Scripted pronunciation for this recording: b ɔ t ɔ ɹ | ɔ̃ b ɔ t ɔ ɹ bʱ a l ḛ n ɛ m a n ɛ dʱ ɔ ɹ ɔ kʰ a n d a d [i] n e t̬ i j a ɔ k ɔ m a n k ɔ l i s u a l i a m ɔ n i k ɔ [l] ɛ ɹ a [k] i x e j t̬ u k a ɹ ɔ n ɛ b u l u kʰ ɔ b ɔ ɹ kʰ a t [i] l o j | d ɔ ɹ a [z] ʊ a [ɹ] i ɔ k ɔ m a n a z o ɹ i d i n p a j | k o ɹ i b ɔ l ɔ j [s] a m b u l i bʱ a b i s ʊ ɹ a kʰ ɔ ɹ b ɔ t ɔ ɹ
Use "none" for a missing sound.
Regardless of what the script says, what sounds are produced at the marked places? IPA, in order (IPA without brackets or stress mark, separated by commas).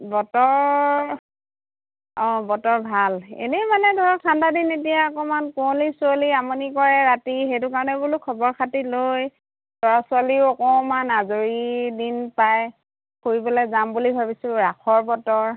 i, ɹ, t, i, s, l, z